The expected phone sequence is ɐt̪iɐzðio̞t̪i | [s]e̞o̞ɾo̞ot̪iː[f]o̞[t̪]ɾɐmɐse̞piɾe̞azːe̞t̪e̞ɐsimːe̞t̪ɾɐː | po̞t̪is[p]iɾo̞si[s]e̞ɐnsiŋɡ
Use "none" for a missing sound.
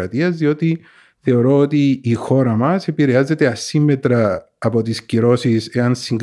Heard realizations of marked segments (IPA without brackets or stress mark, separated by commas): θ, x, none, c, s